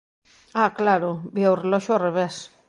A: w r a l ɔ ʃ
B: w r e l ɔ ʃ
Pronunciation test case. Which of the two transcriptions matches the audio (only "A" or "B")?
B